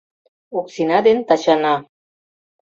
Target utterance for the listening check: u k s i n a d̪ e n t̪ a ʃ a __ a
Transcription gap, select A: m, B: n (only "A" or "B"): B